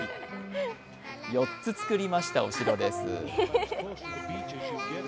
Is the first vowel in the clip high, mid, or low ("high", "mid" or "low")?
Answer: mid